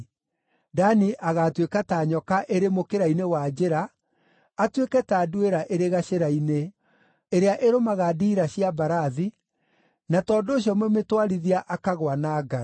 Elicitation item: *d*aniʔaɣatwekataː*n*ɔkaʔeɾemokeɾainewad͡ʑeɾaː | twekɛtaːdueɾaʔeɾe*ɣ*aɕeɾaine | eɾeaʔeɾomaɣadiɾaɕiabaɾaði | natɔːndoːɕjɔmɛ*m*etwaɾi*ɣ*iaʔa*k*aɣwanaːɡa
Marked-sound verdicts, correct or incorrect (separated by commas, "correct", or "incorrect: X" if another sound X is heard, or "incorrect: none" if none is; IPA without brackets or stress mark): correct, incorrect: ɲ, correct, correct, incorrect: ð, correct